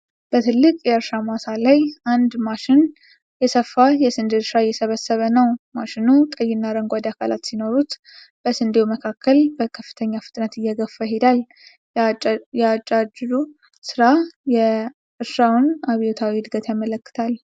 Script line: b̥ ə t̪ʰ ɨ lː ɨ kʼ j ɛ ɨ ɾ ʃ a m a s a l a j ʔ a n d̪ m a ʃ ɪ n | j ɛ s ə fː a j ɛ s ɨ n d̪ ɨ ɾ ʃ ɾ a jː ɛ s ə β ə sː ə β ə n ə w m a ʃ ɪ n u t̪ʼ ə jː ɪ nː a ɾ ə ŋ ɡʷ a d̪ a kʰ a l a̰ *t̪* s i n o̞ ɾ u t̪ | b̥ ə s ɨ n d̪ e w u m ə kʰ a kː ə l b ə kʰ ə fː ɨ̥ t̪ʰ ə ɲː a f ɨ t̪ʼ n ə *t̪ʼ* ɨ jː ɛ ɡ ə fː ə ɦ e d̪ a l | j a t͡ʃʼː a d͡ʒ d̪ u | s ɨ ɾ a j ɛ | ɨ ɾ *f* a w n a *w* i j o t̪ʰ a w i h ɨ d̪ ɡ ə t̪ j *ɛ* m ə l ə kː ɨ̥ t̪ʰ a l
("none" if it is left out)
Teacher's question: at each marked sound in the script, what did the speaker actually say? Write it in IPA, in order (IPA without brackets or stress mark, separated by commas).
t̪, t̪, ʃ, β, a